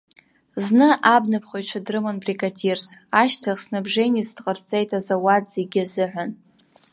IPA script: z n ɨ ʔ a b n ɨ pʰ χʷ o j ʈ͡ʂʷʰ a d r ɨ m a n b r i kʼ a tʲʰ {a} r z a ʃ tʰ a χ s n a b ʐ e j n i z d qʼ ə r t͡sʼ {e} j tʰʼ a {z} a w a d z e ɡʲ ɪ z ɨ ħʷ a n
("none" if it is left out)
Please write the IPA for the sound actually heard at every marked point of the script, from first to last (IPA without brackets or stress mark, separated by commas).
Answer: i, e, z